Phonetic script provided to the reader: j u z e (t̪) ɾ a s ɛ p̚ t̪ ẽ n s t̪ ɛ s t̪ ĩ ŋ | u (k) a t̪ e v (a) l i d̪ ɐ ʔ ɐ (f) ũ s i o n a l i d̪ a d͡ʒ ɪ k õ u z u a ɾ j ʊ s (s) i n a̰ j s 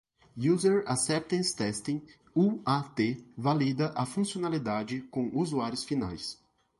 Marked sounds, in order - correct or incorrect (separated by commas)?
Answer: incorrect, incorrect, correct, correct, incorrect